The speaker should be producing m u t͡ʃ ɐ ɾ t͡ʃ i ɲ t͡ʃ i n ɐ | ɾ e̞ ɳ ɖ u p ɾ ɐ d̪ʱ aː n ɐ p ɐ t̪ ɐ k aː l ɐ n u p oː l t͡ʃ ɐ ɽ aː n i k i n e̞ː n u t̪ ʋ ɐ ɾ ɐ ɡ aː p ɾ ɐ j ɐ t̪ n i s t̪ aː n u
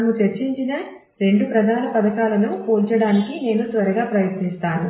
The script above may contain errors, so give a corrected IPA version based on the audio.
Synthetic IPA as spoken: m u t͡ʃ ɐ ɾ t͡ʃ i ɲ t͡ʃ i n ɐ | ɾ e̞ ɳ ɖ u p ɾ ɐ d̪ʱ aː n ɐ p ɐ d̪ ɐ k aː l ɐ n u p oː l t͡ʃ ɐ ɽ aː n i k i n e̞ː n u t̪ ʋ ɐ ɾ ɐ ɡ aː p ɾ ɐ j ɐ t̪ n i s t̪ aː n u

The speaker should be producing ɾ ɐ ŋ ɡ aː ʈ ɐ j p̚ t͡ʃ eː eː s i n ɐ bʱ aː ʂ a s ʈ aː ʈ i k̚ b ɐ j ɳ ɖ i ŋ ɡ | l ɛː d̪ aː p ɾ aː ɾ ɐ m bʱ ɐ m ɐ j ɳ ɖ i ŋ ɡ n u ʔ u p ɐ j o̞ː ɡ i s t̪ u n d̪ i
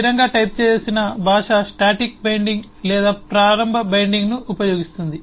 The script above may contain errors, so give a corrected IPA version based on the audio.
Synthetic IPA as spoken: ɾ ɐ ŋ ɡ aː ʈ ɐ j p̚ t͡ʃ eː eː s i n ɐ bʱ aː ʂ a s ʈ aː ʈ i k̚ b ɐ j ɳ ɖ i ŋ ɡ | l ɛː d̪ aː p ɾ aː ɾ ɐ m bʱ ɐ b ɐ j ɳ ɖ i ŋ ɡ n u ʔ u p ɐ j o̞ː ɡ i s t̪ u n d̪ i

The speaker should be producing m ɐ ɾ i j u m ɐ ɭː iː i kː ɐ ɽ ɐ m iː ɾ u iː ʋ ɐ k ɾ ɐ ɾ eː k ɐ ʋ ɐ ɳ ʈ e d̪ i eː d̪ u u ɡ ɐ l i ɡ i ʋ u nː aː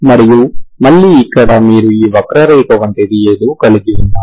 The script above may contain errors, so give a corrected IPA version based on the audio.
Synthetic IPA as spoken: m ɐ ɾ i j u m ɐ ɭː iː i kː ɐ ɽ ɐ m iː ɾ u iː ʋ ɐ k ɾ ɐ ɾ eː k ɐ ʋ ɐ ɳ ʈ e d̪ i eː d̪ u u k ɐ l i ɡ i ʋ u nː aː

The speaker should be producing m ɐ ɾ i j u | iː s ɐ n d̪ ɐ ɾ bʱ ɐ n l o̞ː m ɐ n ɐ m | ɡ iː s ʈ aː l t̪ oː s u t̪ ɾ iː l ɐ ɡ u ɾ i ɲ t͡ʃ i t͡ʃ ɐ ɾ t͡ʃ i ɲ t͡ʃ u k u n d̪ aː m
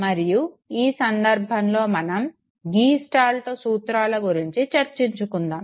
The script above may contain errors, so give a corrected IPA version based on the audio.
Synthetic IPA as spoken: m ɐ ɾ i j u | iː s ɐ n d̪ ɐ ɾ bʱ ɐ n l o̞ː m ɐ n ɐ m | ɡ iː s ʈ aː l t̪ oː s uː t̪ ɾ aː l ɐ ɡ u ɾ i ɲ t͡ʃ i t͡ʃ ɐ ɾ t͡ʃ i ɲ t͡ʃ u k u n d̪ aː m

